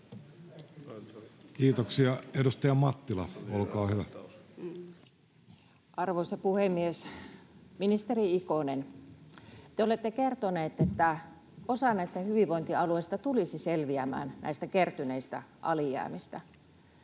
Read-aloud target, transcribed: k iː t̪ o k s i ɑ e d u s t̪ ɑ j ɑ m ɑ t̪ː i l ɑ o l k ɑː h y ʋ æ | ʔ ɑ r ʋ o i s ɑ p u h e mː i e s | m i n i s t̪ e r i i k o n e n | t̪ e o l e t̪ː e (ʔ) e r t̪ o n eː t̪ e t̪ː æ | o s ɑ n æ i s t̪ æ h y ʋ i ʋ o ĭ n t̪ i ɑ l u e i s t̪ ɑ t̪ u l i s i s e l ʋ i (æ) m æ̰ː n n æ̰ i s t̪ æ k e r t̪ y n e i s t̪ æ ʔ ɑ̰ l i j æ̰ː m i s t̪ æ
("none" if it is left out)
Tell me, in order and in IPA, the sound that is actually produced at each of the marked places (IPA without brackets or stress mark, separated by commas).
k, æ